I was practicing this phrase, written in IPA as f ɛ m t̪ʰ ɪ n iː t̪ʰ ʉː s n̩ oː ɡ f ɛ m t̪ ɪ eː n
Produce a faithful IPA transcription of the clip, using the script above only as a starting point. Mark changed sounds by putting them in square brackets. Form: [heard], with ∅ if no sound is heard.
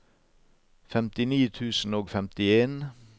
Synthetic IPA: f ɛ m [t̪] ɪ n iː t̪ʰ ʉː s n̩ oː ɡ f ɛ m t̪ ɪ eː n